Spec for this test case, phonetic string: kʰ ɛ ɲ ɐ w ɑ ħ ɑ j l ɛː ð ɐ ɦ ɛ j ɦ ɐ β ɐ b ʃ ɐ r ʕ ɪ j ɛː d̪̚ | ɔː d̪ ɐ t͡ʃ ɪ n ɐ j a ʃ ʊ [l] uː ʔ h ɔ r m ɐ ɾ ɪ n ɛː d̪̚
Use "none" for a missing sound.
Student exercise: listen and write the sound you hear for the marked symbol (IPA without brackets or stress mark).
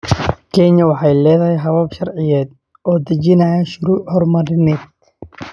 ɾ